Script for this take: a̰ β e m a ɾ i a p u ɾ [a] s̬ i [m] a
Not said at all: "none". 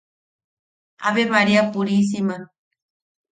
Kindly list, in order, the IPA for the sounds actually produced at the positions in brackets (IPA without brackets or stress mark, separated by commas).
i, m